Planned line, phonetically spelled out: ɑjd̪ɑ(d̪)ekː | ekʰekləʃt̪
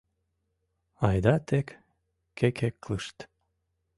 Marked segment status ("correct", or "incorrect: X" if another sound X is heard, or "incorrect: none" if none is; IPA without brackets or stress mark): incorrect: t̪